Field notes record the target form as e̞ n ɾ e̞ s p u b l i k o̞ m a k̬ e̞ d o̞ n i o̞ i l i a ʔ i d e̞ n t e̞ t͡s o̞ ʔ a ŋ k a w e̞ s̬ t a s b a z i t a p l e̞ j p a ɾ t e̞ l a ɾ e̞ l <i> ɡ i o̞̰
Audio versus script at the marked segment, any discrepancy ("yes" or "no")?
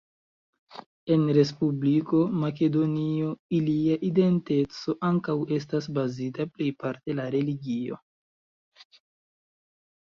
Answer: no